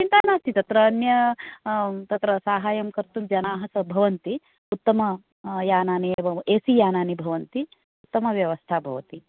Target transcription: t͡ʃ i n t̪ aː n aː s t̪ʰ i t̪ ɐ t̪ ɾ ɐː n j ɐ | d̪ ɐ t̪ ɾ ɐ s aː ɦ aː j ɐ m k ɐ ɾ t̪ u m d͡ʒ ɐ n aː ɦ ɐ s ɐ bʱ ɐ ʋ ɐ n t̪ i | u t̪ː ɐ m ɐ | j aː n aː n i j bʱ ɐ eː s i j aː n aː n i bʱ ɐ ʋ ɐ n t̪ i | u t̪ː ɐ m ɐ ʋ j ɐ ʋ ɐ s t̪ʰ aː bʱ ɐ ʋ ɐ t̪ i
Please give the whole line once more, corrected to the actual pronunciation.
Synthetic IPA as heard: t͡ʃ i n t̪ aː n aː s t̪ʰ i t̪ ɐ t̪ ɾ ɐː n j ɐ | t̪ ɐ t̪ ɾ ɐ s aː ɦ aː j ɐ m k ɐ ɾ t̪ u m d͡ʒ ɐ n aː ɦ ɐ s ɐ bʱ ɐ ʋ ɐ n t̪ i | u t̪ː ɐ m ɐ | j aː n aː n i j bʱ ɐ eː s i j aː n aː n i bʱ ɐ ʋ ɐ n t̪ i | u t̪ː ɐ m ɐ ʋ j ɐ ʋ ɐ s t̪ʰ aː bʱ ɐ ʋ ɐ t̪ i